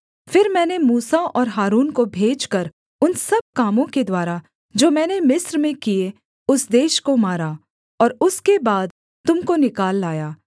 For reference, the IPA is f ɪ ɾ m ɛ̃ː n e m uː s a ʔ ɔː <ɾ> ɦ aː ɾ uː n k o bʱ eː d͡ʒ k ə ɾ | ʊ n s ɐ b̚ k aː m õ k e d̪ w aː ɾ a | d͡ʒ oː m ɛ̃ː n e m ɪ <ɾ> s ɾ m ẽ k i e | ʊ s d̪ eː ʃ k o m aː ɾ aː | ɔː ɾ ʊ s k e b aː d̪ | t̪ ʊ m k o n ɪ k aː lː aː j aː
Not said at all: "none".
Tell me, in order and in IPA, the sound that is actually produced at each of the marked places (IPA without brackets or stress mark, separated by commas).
ɾ, none